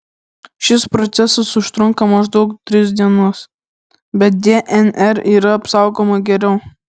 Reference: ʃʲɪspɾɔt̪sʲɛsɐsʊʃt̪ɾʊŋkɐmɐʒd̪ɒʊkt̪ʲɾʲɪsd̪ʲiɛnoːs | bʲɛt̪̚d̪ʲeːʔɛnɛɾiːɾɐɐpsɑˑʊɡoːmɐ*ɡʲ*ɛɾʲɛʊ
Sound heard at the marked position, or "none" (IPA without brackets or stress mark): ɡʲ